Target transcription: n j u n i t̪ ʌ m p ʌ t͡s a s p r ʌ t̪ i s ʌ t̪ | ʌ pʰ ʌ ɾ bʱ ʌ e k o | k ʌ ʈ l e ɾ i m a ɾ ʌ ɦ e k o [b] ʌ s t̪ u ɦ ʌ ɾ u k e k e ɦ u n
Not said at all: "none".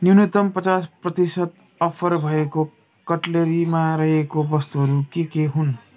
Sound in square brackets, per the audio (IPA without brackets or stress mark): b